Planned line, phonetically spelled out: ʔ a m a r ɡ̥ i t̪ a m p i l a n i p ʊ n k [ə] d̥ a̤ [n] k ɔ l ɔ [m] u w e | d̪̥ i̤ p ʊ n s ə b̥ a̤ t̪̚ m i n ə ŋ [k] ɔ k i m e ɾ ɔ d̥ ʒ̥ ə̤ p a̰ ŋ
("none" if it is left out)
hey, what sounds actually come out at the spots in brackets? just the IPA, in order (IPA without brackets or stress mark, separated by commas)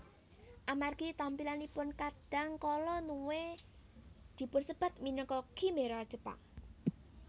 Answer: a, ŋ, n, k